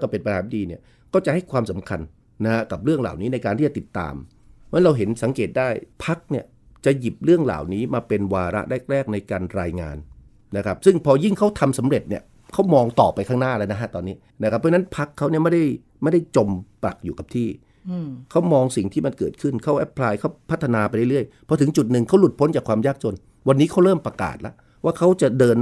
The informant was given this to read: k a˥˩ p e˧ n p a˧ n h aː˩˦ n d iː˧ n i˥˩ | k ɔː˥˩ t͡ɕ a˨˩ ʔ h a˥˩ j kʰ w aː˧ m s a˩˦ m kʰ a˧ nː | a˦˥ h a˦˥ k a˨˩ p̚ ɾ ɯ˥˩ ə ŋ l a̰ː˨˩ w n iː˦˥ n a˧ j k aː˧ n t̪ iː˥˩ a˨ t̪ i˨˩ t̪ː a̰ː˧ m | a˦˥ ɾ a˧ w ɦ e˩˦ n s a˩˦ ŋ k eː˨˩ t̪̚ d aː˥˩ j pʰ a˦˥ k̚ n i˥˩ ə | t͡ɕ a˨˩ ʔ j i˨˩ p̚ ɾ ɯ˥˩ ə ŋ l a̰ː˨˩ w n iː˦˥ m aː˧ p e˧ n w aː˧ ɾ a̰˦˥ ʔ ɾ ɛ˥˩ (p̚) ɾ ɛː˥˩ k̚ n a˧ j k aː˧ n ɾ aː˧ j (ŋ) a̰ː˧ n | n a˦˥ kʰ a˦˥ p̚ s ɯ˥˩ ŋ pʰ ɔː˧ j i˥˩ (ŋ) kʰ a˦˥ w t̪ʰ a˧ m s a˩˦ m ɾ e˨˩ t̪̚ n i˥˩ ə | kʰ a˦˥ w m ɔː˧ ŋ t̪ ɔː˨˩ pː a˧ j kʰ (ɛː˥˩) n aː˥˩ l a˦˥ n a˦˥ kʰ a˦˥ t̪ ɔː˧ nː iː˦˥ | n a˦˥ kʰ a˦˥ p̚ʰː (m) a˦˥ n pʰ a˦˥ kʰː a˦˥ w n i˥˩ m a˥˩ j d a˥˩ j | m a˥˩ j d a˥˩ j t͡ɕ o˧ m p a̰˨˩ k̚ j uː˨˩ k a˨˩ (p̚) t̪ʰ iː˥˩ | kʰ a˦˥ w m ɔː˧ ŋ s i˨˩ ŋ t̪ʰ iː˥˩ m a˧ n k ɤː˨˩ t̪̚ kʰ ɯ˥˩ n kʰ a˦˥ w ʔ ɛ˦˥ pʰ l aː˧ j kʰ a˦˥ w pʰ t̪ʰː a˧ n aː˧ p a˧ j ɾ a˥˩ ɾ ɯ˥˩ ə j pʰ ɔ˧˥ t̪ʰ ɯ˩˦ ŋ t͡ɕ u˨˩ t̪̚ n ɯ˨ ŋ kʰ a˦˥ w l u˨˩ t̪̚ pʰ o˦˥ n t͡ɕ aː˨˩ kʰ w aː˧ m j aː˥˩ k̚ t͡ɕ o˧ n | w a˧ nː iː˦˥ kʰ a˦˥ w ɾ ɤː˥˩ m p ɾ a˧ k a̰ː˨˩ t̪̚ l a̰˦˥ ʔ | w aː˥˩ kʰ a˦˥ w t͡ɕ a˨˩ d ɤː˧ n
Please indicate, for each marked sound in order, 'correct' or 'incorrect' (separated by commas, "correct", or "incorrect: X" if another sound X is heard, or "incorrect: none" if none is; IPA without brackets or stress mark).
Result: incorrect: k̚, correct, correct, incorrect: aː˥˩, incorrect: n, correct